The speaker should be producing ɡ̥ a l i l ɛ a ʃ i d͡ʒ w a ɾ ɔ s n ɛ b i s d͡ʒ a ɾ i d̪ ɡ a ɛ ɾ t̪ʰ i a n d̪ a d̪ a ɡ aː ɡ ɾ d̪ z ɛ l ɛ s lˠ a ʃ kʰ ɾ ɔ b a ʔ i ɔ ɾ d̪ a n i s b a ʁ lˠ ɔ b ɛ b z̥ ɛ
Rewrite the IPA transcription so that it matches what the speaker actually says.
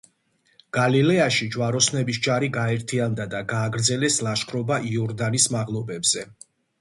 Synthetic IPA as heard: ɡ̥ a l i l ɛ a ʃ i d͡ʒ w a ɾ ɔ s n ɛ b i s d͡ʒ a ɾ i ɡ a ɛ ɾ t̪ʰ i a n d̪ a d̪ a ɡ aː ɡ ɾ d̪ z ɛ l ɛ s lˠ a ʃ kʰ ɾ ɔ b a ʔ i ɔ ɾ d̪ a n i s m a ʁ lˠ ɔ b ɛ b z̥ ɛ